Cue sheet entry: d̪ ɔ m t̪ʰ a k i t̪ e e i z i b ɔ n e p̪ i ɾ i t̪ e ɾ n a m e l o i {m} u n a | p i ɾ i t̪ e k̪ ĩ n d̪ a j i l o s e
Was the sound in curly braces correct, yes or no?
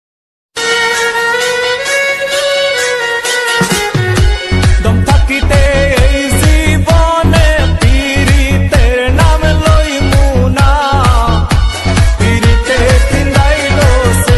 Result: yes